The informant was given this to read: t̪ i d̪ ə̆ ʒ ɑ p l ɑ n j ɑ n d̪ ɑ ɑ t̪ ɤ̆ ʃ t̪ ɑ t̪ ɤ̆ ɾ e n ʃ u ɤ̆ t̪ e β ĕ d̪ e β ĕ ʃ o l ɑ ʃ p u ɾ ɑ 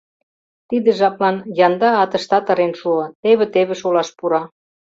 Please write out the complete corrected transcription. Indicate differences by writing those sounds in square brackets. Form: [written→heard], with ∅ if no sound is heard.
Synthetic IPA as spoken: t̪ i d̪ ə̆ ʒ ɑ p l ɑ n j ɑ n d̪ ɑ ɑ t̪ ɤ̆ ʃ t̪ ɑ t̪ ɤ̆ ɾ e n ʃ u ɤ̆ t̪ e β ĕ [d̪→t̪] e β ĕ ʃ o l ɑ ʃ p u ɾ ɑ